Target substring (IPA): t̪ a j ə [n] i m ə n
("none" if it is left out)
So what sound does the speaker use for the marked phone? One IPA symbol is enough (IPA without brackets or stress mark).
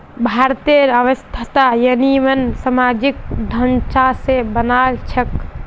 n